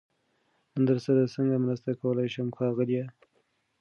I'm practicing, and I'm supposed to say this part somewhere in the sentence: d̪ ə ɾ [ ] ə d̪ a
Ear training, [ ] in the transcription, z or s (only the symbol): s